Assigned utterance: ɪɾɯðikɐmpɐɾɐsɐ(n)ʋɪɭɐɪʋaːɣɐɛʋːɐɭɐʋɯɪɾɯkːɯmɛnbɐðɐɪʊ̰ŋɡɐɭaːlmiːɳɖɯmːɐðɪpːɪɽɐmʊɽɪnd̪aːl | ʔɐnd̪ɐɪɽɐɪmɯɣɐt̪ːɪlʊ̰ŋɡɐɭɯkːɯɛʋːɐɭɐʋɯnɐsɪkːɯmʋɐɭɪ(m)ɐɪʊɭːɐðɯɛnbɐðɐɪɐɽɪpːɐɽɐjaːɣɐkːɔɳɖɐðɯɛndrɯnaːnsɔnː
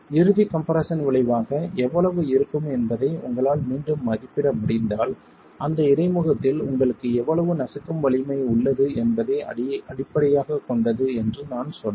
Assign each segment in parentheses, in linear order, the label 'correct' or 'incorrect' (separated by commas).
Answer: correct, correct